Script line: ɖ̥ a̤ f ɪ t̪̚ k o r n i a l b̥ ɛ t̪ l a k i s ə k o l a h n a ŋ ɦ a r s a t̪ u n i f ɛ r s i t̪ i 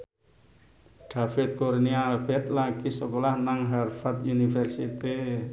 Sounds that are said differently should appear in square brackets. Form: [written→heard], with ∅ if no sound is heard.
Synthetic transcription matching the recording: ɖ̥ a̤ f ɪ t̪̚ k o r n i a l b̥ ɛ t̪ l a k i s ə k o l a h n a ŋ ɦ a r [s→f] a t̪ u n i f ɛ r s i t̪ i

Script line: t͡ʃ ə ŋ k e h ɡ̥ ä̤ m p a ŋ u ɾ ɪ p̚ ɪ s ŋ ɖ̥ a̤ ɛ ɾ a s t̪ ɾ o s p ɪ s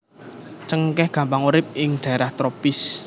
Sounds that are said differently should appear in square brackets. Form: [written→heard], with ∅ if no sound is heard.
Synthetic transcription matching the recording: t͡ʃ ə ŋ k [e→ɛ] h ɡ̥ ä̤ m p a ŋ u ɾ ɪ p̚ ɪ [s→∅] ŋ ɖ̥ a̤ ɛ ɾ a [s→h] t̪ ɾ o [s→∅] p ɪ s

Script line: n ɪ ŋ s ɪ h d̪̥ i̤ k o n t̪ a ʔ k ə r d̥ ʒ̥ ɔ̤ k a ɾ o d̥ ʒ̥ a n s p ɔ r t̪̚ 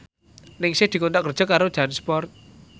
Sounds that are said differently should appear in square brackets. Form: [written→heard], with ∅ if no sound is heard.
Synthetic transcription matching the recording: n ɪ ŋ s ɪ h d̪̥ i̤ k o n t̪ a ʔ k ə r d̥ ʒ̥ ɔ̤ k a ɾ o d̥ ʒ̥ a n s p ɔ r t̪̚

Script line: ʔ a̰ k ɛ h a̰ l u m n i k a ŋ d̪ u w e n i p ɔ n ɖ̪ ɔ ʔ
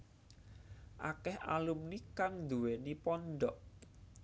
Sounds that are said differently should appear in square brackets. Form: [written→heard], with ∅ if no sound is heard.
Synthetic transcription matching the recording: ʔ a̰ k ɛ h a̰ l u m n i k a ŋ d̪ u w e n i p ɔ n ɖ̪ ɔ ʔ

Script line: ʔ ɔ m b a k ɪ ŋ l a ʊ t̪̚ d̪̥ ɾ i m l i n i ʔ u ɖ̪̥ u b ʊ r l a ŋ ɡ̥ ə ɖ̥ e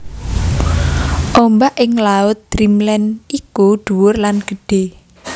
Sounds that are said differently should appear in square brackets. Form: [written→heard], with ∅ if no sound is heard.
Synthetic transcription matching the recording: ʔ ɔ m b a [k→ʔ] ɪ ŋ l a ʊ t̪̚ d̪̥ ɾ i m l [i→ɛ] n i [ʔ→k] u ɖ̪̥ u [b→w] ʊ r l a [ŋ→n] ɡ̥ ə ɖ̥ e

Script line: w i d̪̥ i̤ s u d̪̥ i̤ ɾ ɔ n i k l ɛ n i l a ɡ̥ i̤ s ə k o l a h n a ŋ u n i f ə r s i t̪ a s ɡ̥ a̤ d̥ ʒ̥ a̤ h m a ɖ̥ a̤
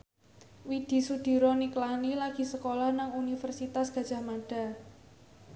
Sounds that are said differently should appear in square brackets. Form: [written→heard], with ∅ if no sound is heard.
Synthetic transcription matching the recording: w i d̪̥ i̤ s u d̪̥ i̤ ɾ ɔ n i k l [ɛ→a] n i l a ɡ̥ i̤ s ə k o l a h n a ŋ u n i f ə r s i t̪ a s ɡ̥ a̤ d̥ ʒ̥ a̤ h m a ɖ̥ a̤

